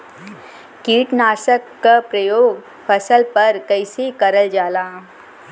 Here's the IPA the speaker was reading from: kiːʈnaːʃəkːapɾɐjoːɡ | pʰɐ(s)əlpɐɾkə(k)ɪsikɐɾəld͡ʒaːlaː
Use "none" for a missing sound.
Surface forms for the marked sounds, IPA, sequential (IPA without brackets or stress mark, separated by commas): s, none